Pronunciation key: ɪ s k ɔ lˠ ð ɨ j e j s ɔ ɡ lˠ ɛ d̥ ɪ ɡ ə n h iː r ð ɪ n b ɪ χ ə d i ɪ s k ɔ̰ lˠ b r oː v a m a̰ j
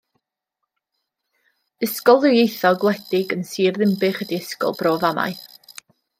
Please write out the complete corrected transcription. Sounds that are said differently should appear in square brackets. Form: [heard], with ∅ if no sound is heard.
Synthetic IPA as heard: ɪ s k ɔ lˠ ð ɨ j e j [θ] ɔ ɡ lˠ ɛ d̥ ɪ ɡ ə n [s] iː r ð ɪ [m] b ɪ χ ə d i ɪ s k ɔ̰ lˠ b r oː v a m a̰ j